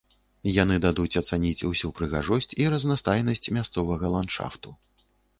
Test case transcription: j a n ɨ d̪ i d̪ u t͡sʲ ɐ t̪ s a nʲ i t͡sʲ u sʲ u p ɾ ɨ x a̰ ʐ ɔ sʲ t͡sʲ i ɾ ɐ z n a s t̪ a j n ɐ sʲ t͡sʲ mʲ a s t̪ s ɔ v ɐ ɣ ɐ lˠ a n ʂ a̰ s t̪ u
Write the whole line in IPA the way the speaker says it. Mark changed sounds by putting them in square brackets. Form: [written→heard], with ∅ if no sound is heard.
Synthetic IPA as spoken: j a n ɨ d̪ [i→a] d̪ u t͡sʲ ɐ t̪ s a nʲ i t͡sʲ u sʲ u p ɾ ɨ [x→ɣ] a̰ ʐ ɔ sʲ t͡sʲ i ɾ ɐ z n a s t̪ a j n ɐ sʲ t͡sʲ mʲ a s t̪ s ɔ v ɐ ɣ ɐ lˠ a n ʂ a̰ [s→f] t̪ u